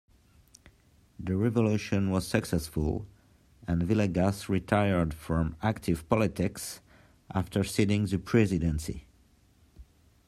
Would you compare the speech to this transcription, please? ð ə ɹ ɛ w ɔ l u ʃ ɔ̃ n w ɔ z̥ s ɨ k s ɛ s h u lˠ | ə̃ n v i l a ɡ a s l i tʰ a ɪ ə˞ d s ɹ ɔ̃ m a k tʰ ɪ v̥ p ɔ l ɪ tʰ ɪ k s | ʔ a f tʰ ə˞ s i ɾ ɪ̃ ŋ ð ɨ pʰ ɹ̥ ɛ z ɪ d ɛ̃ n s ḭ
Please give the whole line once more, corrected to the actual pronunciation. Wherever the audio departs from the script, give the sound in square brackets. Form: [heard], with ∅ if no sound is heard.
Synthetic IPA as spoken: ð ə ɹ ɛ [v] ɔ l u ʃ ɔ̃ n w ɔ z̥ s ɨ k s ɛ s [f] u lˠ | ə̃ n v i l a ɡ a s [ɹ] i tʰ a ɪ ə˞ d [f] ɹ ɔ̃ m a k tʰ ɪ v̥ p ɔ l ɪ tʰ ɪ k s | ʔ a f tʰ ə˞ s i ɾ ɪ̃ ŋ ð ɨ pʰ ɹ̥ ɛ z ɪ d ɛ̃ n s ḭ